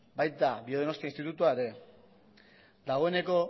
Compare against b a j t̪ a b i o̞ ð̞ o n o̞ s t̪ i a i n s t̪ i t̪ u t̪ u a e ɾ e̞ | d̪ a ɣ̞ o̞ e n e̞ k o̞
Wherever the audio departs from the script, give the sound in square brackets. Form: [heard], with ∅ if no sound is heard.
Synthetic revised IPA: b a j t̪ a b i o̞ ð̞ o n o̞ s t̪ i a i n s t̪ i t̪ u t̪ u a e ɾ e̞ | d̪ a ɣ̞ o̞ e n e̞ k o̞